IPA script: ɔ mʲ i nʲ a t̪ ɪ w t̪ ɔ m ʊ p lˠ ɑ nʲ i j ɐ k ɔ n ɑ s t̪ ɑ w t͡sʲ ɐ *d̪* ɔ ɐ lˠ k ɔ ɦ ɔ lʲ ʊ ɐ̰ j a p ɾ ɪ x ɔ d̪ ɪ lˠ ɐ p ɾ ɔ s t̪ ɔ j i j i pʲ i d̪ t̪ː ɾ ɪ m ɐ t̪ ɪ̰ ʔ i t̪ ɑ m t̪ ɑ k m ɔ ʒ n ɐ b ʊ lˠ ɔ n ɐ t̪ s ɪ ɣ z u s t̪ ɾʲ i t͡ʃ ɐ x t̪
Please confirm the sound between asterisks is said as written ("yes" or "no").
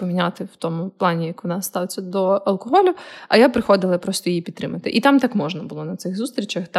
yes